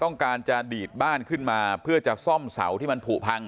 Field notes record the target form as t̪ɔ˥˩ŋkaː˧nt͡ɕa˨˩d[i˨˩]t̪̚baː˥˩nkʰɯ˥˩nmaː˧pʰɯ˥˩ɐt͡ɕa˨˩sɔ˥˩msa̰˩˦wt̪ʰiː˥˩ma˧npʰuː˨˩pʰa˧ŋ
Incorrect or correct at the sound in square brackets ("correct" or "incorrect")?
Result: incorrect